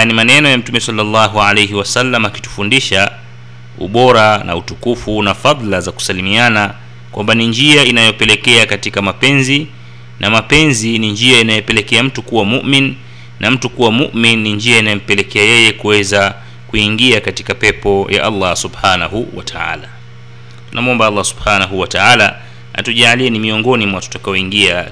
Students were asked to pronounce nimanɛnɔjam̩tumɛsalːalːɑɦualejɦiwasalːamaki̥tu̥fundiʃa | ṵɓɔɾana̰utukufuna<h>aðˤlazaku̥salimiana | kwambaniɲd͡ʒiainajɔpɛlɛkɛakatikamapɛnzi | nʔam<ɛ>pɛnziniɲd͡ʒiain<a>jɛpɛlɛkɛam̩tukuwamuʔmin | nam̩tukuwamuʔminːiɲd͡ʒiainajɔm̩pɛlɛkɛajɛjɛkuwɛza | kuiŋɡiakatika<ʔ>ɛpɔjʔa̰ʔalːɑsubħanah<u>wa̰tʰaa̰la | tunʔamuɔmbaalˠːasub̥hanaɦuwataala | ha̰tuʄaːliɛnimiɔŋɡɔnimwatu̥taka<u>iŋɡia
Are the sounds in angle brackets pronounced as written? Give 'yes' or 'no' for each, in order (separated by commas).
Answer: no, no, yes, no, yes, no